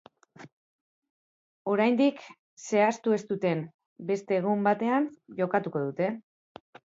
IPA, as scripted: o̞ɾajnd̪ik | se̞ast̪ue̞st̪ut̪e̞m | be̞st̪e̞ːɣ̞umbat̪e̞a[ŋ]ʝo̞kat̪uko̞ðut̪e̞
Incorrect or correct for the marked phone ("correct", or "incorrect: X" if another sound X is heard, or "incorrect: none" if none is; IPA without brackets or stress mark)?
incorrect: n